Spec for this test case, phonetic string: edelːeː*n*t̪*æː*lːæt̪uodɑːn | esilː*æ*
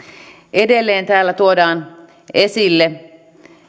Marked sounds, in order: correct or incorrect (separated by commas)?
correct, correct, incorrect